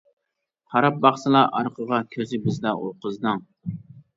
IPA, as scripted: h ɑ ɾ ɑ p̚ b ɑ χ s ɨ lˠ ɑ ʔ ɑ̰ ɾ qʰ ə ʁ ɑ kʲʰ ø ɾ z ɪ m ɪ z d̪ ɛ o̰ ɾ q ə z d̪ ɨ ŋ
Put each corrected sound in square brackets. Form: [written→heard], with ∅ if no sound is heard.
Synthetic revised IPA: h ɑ ɾ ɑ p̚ b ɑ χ s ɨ lˠ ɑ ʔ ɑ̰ ɾ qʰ ə ʁ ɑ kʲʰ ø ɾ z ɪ [m→b] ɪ z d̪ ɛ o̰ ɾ q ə z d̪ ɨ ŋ